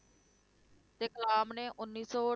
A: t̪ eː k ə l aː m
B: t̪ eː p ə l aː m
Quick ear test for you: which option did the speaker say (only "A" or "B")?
A